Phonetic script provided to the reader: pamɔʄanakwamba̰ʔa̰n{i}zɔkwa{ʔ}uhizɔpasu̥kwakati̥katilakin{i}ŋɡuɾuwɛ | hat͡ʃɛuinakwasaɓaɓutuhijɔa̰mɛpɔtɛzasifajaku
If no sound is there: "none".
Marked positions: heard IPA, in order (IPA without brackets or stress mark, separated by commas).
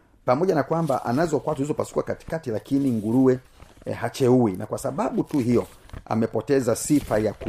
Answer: a, t, i